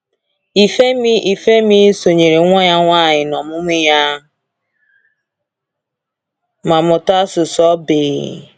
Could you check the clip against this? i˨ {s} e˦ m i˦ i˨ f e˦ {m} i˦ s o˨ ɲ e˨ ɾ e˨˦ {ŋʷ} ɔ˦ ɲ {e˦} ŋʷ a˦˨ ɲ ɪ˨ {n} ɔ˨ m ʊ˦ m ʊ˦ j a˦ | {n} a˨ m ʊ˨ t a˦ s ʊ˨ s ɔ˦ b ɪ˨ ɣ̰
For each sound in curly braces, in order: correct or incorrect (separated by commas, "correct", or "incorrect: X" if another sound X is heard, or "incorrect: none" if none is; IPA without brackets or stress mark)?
incorrect: f, correct, correct, incorrect: a˦, correct, incorrect: m